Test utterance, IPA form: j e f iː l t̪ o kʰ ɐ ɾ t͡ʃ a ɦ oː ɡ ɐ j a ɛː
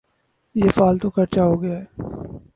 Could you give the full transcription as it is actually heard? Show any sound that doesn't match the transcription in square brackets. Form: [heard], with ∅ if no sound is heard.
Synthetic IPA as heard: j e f [aː] l t̪ o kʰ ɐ ɾ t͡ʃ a ɦ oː ɡ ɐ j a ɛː